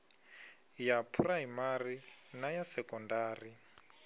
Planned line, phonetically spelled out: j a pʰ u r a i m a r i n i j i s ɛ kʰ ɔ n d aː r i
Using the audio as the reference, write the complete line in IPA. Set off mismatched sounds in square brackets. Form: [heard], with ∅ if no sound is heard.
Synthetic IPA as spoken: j a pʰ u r a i m a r i n [a] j [a] s ɛ [k] ɔ n d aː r i

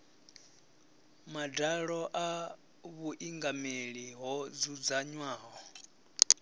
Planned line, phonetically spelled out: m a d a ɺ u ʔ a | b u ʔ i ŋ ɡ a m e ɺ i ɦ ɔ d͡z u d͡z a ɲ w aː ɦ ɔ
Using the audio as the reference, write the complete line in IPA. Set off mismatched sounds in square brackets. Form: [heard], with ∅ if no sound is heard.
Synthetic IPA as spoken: m a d a ɺ [ɔ] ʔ a | [β] u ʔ i ŋ ɡ a m e ɺ i ɦ ɔ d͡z u d͡z a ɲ w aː ɦ ɔ

